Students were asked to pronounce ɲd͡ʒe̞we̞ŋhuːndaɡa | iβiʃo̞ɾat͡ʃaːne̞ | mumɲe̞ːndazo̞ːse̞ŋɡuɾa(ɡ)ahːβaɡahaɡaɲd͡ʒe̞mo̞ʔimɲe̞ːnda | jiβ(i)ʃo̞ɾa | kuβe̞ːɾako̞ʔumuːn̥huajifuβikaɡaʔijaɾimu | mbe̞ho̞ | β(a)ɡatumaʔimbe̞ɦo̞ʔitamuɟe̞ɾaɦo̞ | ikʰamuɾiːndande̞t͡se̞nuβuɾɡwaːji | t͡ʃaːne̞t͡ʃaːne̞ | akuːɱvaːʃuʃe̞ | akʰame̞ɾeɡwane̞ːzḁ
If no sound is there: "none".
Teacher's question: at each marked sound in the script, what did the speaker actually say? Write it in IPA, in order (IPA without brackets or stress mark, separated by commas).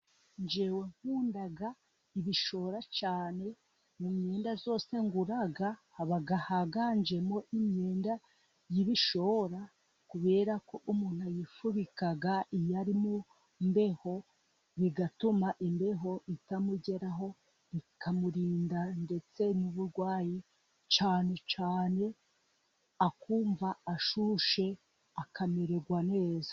ɡ, i, i